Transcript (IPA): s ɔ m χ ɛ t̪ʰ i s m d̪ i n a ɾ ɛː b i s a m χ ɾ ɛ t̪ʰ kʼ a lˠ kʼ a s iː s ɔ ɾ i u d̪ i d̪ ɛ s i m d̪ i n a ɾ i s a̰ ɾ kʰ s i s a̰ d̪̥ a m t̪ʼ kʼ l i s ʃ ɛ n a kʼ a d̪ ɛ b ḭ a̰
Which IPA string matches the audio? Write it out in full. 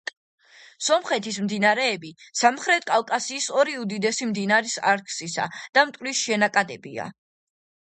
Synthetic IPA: s ɔ m χ ɛ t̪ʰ i s m d̪ i n a ɾ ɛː b i s a m χ ɾ ɛ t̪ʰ kʼ a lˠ kʼ a s iː s ɔ ɾ i u d̪ i d̪ ɛ s i m d̪ i n a ɾ i s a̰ ɾ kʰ s i s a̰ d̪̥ a m t̪ʼ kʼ l i s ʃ ɛ n a kʼ a d̪ ɛ b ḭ a̰